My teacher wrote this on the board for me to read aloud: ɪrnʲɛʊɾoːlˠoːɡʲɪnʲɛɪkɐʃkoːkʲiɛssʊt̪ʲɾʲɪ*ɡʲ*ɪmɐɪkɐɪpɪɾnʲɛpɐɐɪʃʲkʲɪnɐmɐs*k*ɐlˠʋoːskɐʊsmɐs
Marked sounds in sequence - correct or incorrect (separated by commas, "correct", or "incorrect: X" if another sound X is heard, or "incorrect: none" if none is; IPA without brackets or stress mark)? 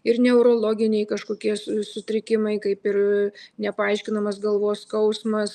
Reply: incorrect: kʲ, incorrect: ɡ